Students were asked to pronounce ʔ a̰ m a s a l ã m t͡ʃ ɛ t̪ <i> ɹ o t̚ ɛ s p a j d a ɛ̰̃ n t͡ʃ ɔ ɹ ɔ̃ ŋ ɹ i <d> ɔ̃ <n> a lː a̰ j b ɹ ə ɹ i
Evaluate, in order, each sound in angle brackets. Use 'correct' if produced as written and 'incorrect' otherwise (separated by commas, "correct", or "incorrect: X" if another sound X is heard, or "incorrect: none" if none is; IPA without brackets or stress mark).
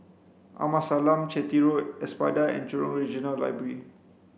correct, incorrect: d͡ʒ, correct